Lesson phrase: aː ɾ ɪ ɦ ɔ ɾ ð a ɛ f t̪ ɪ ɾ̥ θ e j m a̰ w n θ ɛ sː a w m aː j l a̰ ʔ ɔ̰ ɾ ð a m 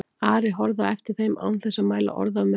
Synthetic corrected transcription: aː ɾ ɪ ɦ ɔ ɾ ð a ɛ f t̪ ɪ ɾ̥ θ e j m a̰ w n θ ɛ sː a m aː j l a̰ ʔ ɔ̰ ɾ ð a m